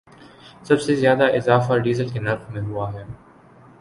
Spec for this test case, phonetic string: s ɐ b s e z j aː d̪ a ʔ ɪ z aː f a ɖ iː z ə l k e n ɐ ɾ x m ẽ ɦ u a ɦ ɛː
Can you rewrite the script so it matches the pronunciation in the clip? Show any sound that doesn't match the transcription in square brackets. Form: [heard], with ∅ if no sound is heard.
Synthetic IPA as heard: s ɐ b s e z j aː d̪ a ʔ ɪ z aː f a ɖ iː z ə l k e n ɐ ɾ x m ẽ ɦ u a ɦ ɛː